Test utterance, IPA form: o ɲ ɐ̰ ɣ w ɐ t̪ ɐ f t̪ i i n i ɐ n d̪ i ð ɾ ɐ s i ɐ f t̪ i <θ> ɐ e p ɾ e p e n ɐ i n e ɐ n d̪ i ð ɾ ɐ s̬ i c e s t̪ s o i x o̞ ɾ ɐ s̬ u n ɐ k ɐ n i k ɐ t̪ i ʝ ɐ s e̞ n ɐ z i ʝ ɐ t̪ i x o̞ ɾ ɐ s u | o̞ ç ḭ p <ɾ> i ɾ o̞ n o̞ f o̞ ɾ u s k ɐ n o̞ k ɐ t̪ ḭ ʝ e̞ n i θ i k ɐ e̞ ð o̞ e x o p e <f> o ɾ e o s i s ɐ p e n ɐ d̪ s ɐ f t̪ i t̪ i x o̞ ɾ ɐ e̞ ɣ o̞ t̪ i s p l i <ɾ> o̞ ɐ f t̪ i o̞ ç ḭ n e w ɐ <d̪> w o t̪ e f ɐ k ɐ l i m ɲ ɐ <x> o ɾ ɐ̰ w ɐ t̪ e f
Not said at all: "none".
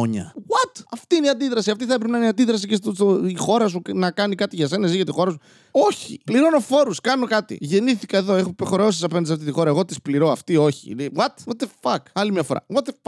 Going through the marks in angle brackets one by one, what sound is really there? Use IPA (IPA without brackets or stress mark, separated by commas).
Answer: θ, l, x, ɾ, t̪, f